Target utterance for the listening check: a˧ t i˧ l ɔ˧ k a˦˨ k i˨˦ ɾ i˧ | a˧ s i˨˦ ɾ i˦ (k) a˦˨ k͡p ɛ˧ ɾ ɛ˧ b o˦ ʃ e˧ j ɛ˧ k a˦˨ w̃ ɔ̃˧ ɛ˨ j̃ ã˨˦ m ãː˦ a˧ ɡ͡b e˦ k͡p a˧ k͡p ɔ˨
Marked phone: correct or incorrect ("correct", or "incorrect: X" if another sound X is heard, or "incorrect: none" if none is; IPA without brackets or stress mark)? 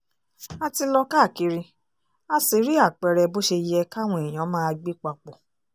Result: incorrect: none